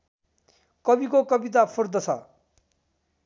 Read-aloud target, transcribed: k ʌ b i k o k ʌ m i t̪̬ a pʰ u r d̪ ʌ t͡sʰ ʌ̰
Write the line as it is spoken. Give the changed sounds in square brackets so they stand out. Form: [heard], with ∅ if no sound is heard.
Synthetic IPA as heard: k ʌ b i k o k ʌ [b] i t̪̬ a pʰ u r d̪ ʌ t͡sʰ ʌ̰

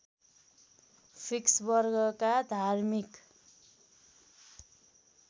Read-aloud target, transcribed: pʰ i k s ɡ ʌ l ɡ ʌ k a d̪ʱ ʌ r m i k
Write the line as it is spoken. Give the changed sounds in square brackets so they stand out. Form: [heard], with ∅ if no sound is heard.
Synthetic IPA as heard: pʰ i k s [b] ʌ [r] ɡ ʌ k a d̪ʱ [a] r m i k

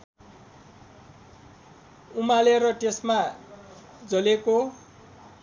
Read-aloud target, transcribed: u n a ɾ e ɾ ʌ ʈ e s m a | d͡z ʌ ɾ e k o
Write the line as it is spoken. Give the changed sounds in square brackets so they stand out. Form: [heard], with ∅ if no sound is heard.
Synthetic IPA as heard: u [m] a [l] e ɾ ʌ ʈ e s m a | d͡z ʌ [l] e k o

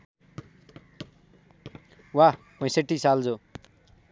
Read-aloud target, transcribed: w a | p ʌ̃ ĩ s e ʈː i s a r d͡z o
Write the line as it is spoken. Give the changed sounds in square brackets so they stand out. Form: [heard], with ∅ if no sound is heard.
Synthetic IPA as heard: w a | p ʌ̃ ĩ s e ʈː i s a [l] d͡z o

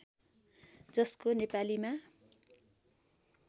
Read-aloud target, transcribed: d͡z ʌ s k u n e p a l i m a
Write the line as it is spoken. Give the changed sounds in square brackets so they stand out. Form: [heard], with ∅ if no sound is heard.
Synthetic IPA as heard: d͡z ʌ s k [o] n e p a l i m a

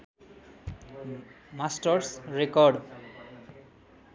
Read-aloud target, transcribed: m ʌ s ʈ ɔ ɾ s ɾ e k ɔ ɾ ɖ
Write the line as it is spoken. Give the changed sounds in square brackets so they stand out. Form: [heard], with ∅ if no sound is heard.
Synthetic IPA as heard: m [a] s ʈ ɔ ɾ s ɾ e k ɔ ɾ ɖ

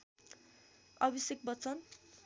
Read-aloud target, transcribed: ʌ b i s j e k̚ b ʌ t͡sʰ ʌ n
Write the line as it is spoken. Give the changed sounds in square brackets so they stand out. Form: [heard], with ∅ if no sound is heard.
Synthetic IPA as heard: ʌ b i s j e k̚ b ʌ [t͡s] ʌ n

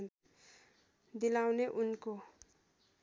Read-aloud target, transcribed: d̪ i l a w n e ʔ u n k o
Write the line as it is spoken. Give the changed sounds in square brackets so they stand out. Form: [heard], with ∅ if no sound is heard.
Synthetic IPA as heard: d̪ i l a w n e ʔ u n k o

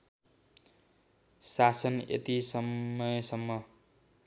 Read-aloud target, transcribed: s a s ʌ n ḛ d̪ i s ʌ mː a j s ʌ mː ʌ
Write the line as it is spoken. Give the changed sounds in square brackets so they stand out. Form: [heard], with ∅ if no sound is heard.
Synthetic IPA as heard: s a s ʌ n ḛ [t̪] i s ʌ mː [ʌ] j s ʌ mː ʌ

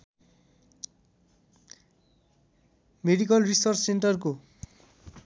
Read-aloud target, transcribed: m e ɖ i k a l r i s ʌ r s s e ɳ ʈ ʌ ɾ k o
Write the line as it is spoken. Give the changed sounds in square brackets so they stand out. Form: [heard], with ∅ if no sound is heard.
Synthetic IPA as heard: m e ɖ i k [ʌ] l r i s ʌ r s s e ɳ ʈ ʌ [r] k o

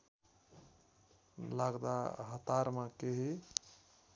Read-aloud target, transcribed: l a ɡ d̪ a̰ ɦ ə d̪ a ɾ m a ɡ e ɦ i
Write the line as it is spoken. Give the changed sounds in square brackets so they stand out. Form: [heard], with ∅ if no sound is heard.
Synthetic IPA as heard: l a ɡ d̪ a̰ ɦ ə [t̪] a ɾ m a [k] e ɦ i

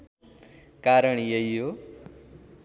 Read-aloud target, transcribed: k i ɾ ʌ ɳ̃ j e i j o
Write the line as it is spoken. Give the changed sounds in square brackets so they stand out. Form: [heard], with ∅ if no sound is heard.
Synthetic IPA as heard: k [a] ɾ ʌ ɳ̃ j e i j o

